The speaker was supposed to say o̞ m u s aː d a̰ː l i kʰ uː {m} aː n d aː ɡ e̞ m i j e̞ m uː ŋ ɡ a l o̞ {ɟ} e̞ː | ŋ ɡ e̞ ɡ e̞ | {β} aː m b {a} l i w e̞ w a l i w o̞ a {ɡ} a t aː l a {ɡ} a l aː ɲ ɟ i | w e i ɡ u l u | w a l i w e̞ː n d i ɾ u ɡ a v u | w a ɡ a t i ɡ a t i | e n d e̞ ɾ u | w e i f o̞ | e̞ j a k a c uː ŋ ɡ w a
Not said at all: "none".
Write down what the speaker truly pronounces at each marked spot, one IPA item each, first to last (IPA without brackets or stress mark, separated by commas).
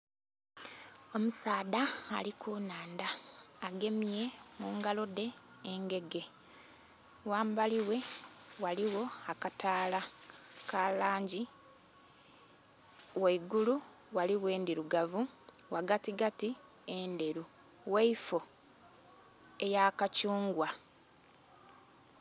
n, d, w, a, k, k